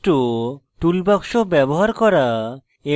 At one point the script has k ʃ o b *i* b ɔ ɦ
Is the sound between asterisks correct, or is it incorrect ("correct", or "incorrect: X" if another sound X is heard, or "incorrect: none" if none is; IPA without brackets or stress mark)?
incorrect: ɛ